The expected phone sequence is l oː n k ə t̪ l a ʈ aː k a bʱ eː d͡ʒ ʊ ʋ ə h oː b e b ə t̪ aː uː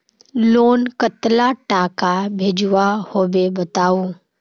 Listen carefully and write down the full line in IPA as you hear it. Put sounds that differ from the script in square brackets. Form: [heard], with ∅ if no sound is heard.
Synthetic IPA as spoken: l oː n k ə t̪ l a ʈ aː k a bʱ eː d͡ʒ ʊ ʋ [a] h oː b e b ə t̪ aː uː